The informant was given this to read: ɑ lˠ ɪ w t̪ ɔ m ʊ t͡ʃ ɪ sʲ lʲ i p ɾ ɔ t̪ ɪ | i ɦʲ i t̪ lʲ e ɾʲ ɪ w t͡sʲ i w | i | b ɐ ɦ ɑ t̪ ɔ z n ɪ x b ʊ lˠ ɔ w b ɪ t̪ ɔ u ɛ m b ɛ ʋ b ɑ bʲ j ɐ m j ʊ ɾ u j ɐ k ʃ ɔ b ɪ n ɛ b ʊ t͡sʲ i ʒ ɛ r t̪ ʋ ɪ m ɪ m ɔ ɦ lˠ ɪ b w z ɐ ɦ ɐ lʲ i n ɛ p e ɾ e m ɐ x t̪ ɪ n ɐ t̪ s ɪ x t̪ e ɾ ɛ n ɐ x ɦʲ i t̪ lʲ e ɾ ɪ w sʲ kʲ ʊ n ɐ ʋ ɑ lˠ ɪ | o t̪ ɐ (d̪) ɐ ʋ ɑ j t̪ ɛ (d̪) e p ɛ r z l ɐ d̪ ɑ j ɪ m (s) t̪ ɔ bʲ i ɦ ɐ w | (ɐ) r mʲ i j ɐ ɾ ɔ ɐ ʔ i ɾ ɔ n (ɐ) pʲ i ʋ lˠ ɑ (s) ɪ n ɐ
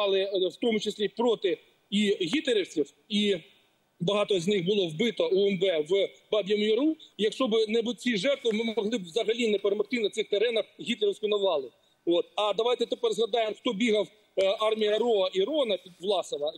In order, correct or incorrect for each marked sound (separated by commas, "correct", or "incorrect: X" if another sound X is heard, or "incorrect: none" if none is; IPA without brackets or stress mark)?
correct, incorrect: t̪, incorrect: x, incorrect: ɑ, correct, correct